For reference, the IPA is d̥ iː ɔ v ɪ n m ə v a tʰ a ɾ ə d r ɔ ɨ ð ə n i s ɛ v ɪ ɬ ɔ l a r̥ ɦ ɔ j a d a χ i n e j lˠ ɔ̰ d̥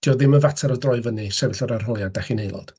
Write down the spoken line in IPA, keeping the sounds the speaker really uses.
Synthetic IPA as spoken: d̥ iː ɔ ð ɪ m ə v a tʰ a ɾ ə d r ɔ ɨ v ə n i s ɛ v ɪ ɬ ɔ ɾ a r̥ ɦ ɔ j a d a χ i n e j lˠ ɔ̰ d̥